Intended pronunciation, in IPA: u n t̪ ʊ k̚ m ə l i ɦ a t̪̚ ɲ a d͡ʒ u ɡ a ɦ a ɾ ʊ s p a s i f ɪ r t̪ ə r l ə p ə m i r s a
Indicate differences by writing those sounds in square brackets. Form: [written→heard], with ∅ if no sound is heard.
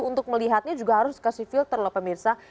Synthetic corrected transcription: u n t̪ ʊ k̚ m ə l i ɦ a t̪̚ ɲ a d͡ʒ u ɡ a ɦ a ɾ ʊ s [p→k] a s i f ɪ [r→l] t̪ ə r l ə p ə m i r s a